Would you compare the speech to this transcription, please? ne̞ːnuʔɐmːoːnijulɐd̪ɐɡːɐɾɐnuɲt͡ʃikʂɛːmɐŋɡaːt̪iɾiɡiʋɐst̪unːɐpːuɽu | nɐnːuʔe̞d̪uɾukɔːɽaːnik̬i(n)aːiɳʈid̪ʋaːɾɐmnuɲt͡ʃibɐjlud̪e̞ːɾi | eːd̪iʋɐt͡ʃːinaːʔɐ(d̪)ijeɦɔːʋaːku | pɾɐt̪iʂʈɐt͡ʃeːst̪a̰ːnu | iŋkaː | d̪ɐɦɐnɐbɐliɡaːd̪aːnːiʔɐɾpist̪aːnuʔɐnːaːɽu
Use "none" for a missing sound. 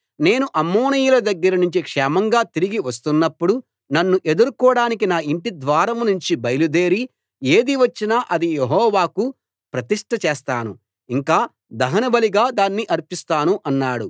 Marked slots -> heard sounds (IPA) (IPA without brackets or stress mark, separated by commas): n, d̪